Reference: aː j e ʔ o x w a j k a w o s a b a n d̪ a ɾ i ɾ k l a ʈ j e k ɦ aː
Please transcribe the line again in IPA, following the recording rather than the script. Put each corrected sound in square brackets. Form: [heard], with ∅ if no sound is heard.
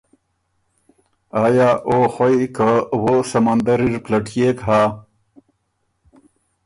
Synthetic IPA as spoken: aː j [a] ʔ o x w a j k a w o s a [m] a n d̪ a ɾ i ɾ [p] l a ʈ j e k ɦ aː

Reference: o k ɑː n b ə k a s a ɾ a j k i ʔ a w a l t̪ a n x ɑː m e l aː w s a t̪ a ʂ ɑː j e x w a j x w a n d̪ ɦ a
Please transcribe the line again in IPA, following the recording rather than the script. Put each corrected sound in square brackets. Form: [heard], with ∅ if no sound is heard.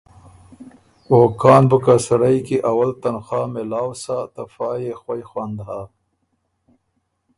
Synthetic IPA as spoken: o k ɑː n b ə k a s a ɾ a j k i ʔ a w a l t̪ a n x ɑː m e l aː w s a t̪ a [f] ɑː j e x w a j x w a n d̪ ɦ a

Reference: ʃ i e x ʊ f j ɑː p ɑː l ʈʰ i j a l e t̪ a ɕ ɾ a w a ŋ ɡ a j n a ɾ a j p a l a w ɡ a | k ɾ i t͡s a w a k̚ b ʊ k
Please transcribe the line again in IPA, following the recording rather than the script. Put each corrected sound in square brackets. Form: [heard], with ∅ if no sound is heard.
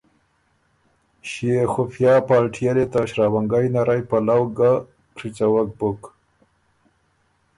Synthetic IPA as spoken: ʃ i e x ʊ f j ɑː p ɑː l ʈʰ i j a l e t̪ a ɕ ɾ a w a ŋ ɡ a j n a ɾ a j p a l a w ɡ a | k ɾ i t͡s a w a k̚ b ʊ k

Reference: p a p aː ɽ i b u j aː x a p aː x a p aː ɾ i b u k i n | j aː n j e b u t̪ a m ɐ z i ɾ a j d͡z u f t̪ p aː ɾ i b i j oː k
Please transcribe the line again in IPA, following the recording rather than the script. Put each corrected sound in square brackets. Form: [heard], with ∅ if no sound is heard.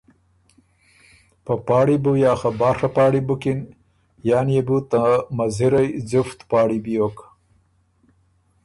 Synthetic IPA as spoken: p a p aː ɽ i b u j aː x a [b] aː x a p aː [ɽ] i b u k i n | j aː n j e b u t̪ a m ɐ z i ɾ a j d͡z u f t̪ p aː [ɽ] i b i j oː k

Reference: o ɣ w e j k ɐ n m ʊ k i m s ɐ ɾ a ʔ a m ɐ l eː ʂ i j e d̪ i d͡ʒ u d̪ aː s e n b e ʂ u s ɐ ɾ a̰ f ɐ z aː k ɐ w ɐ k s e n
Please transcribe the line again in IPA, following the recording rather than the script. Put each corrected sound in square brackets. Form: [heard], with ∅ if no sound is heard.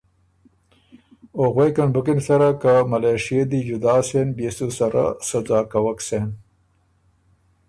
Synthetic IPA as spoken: o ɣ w e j k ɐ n [b] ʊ k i [n] s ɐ ɾ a [k] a m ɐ l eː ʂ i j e d̪ i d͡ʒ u d̪ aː s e n b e [s] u s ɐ ɾ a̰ [s] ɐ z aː k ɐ w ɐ k s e n

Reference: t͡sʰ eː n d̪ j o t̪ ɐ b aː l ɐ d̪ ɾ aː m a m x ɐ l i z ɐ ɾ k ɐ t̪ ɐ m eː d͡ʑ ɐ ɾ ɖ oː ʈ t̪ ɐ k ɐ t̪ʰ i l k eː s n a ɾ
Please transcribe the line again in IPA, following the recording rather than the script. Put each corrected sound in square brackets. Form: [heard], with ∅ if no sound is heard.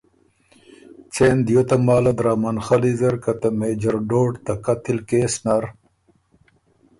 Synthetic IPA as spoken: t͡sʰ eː n d̪ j o t̪ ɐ [m] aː l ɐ d̪ ɾ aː m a [n] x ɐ l i z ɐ ɾ k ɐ t̪ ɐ m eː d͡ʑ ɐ ɾ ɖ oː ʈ t̪ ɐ k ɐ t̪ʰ i l k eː s n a ɾ

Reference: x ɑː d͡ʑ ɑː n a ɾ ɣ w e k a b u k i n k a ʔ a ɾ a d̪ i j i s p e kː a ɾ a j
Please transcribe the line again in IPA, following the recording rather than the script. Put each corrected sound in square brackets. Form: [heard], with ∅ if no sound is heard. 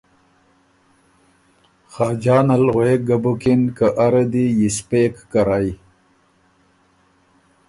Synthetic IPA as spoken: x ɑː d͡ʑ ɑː n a [l] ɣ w e [ɡ] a b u k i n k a ʔ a ɾ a d̪ i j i s p e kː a ɾ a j

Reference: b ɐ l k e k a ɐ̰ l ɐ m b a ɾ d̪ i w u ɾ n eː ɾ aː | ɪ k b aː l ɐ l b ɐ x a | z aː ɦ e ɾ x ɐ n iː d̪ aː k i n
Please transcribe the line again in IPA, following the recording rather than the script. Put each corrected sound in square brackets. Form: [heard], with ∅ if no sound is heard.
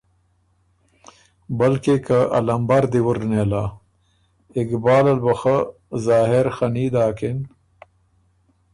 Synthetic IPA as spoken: b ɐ l k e k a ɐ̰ l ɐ m b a ɾ d̪ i w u ɾ n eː [l] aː | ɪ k b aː l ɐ l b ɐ x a | z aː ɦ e ɾ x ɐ n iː d̪ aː k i n

